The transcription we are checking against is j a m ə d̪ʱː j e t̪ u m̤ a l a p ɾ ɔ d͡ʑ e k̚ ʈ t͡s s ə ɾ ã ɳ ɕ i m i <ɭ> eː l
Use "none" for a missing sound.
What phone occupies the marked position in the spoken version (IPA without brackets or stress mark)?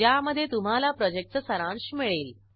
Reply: ɭ